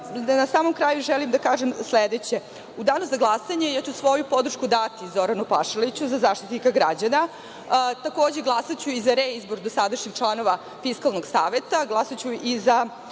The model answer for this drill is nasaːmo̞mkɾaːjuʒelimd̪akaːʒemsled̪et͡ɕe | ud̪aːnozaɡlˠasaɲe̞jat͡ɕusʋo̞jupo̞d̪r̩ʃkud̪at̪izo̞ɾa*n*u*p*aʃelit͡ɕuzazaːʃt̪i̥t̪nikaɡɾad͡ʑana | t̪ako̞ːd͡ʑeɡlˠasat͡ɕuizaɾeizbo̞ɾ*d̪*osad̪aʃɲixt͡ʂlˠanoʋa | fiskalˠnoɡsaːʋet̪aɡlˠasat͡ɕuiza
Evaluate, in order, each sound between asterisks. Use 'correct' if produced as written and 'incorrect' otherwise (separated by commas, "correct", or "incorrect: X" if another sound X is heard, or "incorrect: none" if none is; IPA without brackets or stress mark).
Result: correct, correct, correct